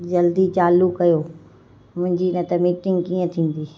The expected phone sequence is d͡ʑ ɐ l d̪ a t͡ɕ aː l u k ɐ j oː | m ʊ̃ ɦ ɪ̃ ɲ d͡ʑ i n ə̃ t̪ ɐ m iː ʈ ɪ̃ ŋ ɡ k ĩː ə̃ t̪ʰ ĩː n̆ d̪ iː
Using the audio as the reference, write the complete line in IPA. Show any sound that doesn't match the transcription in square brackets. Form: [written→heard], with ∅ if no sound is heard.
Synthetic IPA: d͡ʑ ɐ l d̪ [a→i] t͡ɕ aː l u k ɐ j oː | m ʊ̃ ɦ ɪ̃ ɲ d͡ʑ i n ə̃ t̪ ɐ m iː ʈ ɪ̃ ŋ ɡ k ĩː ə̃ t̪ʰ ĩː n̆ d̪ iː